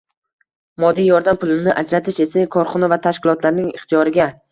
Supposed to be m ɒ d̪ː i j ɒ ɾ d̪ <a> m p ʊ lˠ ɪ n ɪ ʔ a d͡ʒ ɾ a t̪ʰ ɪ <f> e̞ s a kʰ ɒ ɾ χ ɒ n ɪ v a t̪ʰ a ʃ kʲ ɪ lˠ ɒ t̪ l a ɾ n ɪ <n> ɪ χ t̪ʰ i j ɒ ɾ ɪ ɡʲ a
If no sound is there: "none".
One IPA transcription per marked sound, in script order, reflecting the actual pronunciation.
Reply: a, ʃ, ŋ

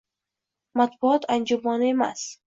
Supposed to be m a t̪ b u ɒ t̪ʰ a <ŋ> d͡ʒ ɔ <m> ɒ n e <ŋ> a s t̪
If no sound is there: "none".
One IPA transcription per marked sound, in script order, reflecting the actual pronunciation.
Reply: n, m, m

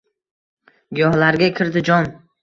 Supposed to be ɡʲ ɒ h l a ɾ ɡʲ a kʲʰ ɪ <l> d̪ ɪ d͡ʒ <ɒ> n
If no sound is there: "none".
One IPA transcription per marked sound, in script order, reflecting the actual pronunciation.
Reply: ɾ, ɒ

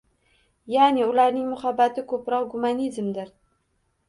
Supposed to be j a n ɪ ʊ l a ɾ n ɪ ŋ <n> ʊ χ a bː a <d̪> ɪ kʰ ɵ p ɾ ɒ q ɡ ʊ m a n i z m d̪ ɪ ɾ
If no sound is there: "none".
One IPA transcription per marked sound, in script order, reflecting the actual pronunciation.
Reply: m, t̪

